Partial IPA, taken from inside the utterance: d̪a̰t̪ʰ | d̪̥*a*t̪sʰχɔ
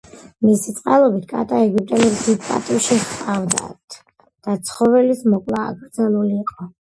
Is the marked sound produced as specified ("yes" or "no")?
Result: yes